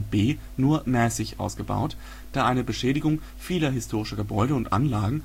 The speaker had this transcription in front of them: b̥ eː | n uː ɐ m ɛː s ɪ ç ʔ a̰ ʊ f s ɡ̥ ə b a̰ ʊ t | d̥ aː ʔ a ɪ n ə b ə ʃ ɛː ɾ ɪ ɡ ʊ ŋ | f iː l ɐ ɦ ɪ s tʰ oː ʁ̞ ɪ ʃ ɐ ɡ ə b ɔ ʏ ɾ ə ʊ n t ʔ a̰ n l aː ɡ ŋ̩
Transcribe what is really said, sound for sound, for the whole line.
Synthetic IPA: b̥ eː | n uː ɐ m ɛː s ɪ ç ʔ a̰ ʊ s ɡ̥ ə b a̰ ʊ t | d̥ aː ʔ a ɪ n ə b ə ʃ ɛː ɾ ɪ ɡ ʊ ŋ | f iː l ɐ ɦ ɪ s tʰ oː ʁ̞ ɪ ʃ ɐ ɡ ə b ɔ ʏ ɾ ə ʊ n t ʔ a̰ n l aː ɡ ŋ̩